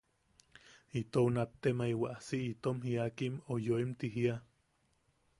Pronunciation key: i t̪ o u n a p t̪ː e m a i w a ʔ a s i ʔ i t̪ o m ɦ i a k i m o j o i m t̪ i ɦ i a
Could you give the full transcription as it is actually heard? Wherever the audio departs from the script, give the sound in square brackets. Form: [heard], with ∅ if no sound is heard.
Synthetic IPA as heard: i t̪ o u n a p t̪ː e m a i w a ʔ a s i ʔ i t̪ o m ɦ i a k i m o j o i m t̪ i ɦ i a